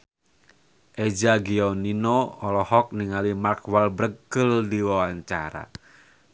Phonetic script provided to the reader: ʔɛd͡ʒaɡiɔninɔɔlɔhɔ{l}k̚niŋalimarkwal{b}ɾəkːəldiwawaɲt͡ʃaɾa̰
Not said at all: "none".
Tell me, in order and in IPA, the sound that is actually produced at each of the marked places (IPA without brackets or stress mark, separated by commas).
none, b